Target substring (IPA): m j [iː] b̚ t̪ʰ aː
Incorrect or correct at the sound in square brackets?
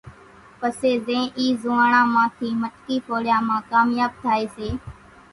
incorrect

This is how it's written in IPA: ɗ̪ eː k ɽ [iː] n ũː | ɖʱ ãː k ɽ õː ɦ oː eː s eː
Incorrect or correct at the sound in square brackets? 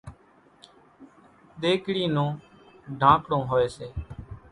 correct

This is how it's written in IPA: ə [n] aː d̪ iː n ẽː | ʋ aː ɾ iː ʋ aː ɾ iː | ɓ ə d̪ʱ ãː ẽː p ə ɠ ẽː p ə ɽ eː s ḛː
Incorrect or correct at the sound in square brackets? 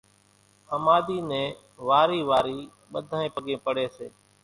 incorrect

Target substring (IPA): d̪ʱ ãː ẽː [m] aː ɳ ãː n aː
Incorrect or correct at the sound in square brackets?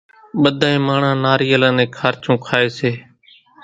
correct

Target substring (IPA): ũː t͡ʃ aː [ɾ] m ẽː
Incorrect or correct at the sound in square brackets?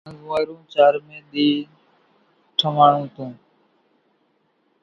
correct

